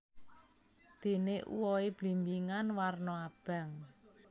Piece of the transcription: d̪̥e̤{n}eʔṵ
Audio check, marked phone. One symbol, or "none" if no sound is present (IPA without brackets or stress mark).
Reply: n